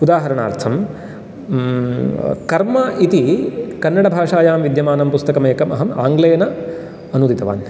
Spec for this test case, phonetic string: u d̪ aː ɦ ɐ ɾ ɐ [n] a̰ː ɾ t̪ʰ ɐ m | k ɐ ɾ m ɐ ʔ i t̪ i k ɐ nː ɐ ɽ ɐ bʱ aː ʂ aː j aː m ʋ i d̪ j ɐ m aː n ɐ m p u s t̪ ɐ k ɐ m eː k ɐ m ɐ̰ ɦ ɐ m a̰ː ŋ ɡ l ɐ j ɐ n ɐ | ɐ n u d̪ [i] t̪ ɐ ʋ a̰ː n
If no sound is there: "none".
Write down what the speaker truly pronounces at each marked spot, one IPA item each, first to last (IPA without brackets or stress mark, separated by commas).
ɳ, i